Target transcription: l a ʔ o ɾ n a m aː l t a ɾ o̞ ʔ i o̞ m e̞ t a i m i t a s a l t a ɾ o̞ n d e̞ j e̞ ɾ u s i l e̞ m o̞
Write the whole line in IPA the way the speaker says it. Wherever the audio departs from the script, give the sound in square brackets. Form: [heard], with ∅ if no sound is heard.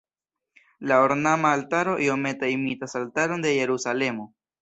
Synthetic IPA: l a [∅] o ɾ n a m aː l t a ɾ o̞ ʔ i o̞ m e̞ t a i m i t a s a l t a ɾ o̞ n d e̞ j e̞ ɾ u s [a] l e̞ m o̞